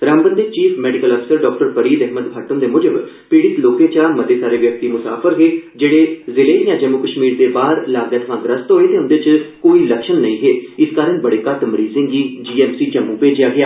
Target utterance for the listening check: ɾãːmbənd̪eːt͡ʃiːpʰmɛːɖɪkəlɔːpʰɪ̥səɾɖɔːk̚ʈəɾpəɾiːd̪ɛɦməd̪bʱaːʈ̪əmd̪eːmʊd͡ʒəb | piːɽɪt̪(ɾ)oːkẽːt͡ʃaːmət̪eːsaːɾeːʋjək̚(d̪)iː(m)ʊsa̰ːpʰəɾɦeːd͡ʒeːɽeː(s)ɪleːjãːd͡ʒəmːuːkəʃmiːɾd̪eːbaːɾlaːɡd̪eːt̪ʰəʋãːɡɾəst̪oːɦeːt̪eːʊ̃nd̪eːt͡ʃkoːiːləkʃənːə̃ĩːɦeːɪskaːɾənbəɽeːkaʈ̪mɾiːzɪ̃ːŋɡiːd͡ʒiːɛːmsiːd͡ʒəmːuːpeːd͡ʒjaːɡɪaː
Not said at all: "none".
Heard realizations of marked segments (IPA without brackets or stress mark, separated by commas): l, t̪, m, z